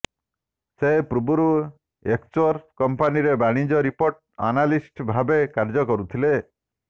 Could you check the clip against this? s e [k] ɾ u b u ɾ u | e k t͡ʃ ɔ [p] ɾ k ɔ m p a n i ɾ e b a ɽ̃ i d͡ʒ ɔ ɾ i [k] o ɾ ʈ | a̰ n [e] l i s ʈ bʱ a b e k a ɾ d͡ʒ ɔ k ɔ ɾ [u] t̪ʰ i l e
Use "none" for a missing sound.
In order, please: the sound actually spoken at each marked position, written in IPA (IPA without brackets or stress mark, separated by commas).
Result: p, none, p, a, u